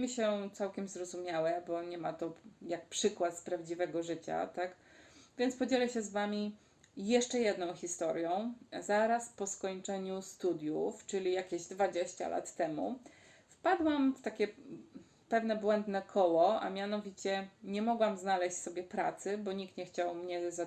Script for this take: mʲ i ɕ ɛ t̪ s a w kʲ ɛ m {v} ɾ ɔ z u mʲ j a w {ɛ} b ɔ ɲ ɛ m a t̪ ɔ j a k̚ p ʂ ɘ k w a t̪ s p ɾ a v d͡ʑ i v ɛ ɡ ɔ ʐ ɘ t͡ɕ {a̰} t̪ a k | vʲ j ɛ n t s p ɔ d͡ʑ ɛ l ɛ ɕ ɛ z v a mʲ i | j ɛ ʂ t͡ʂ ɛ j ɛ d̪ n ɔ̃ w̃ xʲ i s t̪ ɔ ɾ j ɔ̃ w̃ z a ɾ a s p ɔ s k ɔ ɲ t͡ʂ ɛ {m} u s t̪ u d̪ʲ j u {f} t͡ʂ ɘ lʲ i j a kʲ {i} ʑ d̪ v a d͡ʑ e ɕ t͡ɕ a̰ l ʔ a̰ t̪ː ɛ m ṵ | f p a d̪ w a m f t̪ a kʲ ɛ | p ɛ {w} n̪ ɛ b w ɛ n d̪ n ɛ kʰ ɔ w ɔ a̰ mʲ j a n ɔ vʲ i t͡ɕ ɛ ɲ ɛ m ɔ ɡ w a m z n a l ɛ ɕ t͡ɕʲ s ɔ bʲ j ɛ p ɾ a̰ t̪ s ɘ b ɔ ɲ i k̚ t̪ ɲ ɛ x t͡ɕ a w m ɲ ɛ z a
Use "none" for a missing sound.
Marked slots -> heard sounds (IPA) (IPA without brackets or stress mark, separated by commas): z, ɛ, a̰, ɲ, f, e, v